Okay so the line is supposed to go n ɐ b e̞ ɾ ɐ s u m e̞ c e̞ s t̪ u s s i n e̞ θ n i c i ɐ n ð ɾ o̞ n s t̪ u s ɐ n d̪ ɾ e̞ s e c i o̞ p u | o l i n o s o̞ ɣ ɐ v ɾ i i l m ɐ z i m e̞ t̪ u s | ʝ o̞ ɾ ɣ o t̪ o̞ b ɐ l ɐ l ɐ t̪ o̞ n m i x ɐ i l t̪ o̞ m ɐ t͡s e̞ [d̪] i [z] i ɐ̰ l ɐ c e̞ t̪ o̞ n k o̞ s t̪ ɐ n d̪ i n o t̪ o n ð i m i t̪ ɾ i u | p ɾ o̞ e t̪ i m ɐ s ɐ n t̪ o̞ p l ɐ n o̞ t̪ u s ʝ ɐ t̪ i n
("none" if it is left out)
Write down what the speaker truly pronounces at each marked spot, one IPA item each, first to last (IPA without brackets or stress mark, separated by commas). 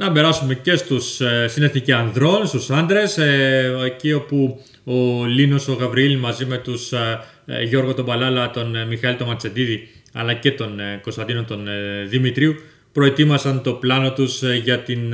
d̪, ð